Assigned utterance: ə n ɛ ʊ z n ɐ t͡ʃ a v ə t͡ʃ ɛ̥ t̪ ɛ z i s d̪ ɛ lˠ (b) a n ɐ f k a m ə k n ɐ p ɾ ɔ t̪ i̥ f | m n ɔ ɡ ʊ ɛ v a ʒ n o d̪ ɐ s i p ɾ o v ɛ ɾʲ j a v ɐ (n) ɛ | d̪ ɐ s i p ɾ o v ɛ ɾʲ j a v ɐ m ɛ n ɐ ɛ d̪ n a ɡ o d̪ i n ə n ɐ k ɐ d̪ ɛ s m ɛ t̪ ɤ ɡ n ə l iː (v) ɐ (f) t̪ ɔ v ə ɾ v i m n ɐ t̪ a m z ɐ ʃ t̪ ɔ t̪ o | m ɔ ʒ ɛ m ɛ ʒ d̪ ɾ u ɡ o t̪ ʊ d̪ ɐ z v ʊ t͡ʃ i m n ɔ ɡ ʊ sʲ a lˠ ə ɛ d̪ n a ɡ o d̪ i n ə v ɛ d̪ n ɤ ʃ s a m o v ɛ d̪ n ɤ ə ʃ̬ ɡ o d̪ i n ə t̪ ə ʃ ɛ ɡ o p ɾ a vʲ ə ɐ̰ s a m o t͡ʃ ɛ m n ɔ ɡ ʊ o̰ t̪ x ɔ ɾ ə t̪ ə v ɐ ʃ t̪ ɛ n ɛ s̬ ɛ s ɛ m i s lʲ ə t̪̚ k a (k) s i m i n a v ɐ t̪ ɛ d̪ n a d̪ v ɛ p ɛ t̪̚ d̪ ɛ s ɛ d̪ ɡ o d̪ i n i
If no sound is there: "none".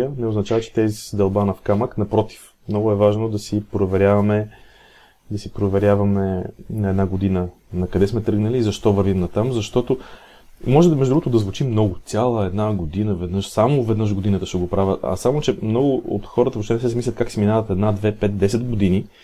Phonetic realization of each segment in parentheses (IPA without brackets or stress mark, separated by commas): b, m, z, ʃ, k